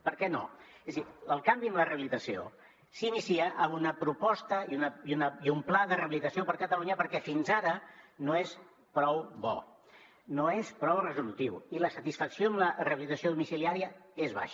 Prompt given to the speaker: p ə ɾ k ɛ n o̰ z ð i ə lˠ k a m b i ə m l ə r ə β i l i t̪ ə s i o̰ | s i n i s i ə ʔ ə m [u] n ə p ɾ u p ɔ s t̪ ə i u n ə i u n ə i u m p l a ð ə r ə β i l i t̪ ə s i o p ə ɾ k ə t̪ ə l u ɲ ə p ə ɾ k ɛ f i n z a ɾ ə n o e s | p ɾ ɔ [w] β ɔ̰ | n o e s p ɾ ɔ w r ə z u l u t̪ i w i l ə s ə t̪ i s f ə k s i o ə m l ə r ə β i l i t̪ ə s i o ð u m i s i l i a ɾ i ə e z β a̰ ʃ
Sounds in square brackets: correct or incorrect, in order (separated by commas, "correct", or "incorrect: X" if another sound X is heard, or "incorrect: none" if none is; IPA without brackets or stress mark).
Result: correct, correct